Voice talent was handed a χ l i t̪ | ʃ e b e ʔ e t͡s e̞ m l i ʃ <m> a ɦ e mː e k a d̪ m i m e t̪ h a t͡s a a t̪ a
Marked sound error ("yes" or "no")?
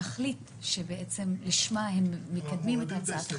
no